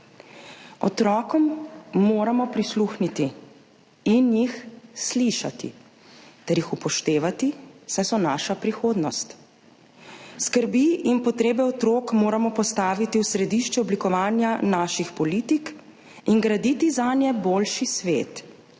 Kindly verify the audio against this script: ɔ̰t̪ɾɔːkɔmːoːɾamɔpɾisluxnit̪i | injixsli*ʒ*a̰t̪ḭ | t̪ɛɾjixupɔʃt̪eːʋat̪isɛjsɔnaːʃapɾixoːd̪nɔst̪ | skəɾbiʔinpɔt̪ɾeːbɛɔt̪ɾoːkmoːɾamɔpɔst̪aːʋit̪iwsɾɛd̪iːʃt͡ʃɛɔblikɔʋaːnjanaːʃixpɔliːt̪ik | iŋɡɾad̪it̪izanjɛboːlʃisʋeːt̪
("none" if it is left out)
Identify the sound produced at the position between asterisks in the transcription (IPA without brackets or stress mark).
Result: ʃ